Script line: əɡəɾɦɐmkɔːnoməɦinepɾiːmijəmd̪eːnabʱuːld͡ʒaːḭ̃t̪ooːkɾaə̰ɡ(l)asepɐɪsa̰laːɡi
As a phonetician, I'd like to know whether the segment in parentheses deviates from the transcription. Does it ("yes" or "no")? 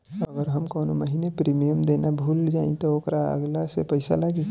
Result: no